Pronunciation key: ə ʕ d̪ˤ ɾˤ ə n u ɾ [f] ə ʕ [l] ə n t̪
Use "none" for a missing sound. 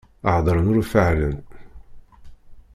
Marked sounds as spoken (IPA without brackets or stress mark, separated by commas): f, l